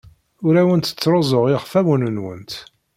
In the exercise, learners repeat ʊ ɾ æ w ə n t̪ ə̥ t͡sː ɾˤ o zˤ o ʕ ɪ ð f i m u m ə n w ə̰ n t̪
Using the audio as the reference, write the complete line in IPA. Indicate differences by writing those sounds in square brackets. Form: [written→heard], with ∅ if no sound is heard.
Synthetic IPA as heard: ʊ ɾ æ w ə n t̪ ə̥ t͡sː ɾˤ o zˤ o [ʕ→ʁ] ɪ [ð→ʁ] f [i→æ] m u [m→n] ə n w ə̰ n t̪